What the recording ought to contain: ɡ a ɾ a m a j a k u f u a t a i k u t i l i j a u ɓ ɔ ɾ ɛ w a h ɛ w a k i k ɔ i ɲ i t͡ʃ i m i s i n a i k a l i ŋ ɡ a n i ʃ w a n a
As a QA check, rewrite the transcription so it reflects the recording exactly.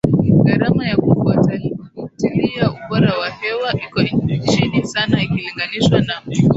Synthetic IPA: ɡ a ɾ a m a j a k u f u a t a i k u t i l i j a u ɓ ɔ ɾ a w a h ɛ w a ʔ i k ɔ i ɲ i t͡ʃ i n i s a n a i k i l i ŋ ɡ a n i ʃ w a n a